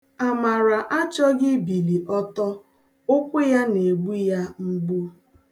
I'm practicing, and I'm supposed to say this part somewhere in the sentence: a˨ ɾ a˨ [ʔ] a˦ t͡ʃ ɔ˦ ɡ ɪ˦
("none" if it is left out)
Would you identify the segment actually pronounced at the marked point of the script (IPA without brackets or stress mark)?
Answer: ʔ